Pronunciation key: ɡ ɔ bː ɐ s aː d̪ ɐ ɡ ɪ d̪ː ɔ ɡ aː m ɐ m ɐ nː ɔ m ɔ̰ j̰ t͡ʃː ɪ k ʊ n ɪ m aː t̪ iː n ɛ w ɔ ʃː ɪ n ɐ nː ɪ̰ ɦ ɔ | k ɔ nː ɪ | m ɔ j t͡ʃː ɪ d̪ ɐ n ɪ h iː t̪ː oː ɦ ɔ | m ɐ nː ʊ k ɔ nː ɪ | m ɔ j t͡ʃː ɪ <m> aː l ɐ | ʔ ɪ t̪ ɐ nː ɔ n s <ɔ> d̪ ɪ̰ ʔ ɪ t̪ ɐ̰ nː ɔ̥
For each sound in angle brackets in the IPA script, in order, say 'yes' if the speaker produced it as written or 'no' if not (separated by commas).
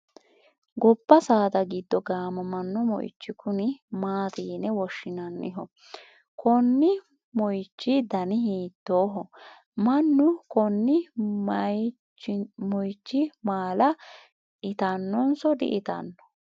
yes, yes